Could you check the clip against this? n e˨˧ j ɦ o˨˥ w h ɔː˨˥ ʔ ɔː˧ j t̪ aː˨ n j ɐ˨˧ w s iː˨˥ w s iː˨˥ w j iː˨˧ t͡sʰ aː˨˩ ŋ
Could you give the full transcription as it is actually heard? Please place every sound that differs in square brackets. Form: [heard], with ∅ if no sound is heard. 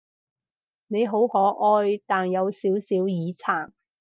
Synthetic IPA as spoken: n e˨˧ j ɦ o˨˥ w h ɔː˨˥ ʔ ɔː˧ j t̪ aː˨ n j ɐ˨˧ w s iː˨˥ w s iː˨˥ w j iː˨˧ t͡sʰ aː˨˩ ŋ